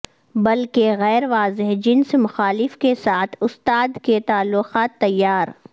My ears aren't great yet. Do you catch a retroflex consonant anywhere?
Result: no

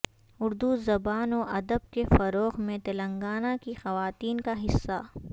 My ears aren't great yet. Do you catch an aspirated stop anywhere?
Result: no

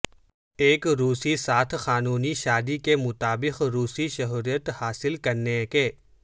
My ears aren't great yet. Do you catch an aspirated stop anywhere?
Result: yes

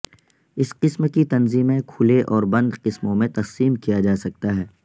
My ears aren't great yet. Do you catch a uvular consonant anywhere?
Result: yes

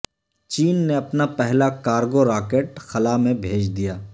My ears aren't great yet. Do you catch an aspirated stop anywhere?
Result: no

